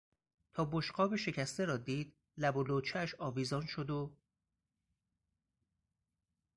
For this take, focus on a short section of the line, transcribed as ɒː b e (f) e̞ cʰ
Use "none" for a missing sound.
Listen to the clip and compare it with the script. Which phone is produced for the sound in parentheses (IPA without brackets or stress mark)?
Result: ʃ